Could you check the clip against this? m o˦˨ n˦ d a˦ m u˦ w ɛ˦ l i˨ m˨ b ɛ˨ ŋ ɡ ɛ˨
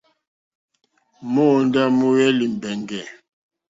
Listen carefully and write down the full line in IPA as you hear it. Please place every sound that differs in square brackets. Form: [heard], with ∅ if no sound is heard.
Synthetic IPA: m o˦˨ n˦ d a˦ m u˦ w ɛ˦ l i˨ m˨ b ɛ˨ ŋ ɡ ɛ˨